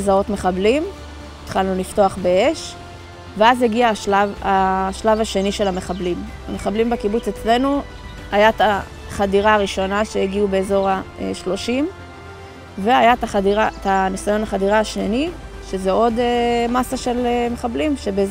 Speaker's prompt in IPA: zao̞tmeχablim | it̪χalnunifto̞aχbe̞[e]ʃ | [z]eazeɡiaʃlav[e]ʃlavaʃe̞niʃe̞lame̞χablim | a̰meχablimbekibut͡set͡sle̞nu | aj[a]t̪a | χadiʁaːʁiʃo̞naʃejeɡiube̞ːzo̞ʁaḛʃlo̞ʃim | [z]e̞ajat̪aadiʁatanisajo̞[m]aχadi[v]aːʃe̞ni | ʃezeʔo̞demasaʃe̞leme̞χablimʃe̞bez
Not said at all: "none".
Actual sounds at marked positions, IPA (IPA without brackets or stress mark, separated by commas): e, v, a, a, v, n, ʁ